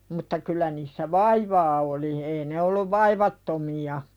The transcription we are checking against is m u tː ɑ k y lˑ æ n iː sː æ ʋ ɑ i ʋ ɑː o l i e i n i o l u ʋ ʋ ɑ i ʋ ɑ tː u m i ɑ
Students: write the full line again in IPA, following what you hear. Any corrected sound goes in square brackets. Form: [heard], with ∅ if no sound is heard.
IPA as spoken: m u tː ɑ k y lˑ æ n iː sː æ ʋ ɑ i ʋ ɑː o l i e i n [e] o [lː] u ʋ ʋ ɑ i ʋ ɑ tː [o] m i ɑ